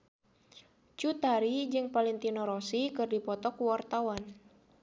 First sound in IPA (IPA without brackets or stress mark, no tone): t͡ʃ